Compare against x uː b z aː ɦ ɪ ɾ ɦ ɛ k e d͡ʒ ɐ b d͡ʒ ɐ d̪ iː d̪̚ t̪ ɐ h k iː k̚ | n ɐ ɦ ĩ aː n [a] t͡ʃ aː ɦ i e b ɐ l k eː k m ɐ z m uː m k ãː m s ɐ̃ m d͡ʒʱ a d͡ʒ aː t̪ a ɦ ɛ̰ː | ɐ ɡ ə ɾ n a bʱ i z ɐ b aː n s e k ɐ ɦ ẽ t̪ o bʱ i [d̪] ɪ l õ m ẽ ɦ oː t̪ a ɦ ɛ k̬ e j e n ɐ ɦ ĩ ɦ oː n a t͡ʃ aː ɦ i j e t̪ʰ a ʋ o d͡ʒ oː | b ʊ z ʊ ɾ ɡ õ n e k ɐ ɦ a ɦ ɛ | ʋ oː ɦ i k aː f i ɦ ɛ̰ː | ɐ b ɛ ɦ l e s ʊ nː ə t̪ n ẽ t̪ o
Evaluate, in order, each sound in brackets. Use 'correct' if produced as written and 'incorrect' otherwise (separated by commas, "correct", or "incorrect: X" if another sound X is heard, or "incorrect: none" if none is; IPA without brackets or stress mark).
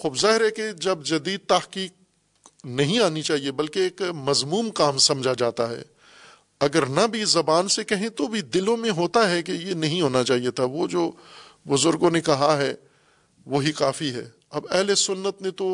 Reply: incorrect: i, correct